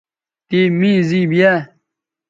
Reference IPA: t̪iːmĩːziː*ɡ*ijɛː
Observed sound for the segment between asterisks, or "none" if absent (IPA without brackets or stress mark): b